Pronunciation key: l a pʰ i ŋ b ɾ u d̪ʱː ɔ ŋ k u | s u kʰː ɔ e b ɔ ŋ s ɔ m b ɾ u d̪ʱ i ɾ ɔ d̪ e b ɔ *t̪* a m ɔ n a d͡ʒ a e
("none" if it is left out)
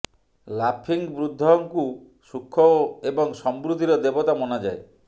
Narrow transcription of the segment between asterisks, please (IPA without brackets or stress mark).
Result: t̪